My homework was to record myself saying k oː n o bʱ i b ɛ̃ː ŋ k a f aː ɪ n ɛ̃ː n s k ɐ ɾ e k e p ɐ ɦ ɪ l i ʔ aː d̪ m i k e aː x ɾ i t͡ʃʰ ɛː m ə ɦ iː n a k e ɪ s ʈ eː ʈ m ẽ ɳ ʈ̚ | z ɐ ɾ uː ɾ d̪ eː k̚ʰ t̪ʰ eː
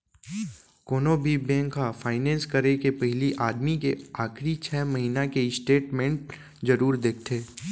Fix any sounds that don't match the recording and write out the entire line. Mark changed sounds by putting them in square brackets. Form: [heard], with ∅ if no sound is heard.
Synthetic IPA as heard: k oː n o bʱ i b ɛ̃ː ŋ k a f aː ɪ n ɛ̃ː n s k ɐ ɾ e k e p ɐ ɦ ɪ l i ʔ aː d̪ m i k e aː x ɾ i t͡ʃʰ ɛː m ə ɦ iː n a k e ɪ s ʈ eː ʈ m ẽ ɳ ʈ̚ | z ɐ ɾ uː ɾ d̪ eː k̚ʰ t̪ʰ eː